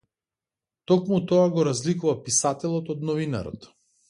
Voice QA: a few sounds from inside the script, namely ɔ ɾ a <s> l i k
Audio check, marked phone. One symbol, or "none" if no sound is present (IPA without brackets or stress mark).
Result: z